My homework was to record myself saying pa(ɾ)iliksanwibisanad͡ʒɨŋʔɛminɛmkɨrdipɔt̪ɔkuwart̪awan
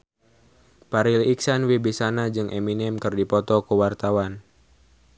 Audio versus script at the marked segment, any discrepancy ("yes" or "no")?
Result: no